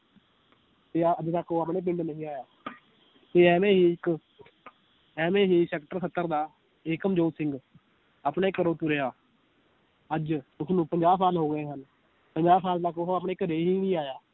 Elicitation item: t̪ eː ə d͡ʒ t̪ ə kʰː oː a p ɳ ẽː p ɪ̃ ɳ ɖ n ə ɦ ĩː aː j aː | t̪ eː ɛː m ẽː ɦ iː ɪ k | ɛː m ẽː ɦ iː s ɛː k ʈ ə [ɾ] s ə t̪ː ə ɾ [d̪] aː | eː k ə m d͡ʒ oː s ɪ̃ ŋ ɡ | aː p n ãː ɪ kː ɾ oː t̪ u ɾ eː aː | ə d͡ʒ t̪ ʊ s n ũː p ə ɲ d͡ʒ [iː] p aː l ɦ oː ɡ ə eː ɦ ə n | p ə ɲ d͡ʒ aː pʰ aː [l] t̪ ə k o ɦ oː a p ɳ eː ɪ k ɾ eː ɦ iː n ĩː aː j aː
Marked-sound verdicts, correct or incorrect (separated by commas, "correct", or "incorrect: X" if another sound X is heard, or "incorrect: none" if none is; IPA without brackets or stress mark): correct, correct, incorrect: aː, correct